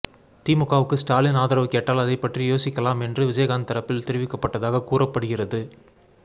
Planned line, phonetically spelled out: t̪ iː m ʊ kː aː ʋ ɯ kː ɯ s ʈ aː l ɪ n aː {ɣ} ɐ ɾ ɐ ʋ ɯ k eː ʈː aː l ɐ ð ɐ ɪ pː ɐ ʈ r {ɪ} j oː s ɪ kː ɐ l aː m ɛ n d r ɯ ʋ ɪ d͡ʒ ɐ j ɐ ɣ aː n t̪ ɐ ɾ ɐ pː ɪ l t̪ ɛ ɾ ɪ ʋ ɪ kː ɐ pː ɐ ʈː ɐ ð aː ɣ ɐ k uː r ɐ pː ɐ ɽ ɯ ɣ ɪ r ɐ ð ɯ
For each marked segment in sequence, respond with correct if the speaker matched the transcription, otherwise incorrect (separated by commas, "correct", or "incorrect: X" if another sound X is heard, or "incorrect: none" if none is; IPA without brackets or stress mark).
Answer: incorrect: ð, incorrect: i